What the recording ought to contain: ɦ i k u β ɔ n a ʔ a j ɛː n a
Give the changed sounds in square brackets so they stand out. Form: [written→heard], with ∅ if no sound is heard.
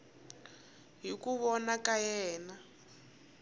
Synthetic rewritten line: ɦ i k u β ɔ n a [ʔ→k] a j ɛː n a